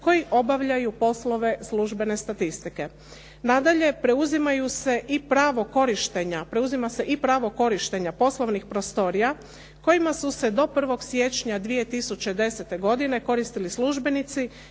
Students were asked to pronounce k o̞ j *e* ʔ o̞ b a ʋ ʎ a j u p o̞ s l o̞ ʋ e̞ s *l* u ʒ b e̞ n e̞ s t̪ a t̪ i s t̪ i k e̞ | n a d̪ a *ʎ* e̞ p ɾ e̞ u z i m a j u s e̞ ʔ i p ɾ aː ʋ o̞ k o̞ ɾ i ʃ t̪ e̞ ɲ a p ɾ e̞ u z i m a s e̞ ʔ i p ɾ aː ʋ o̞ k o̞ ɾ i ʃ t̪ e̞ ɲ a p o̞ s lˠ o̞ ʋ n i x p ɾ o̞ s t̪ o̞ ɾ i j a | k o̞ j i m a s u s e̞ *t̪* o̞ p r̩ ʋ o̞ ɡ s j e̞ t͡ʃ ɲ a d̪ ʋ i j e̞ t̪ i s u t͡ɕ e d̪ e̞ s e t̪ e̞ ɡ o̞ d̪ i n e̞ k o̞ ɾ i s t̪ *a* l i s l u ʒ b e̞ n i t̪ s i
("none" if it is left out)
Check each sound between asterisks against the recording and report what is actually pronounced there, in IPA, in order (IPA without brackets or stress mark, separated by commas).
i, l, ʎ, d̪, i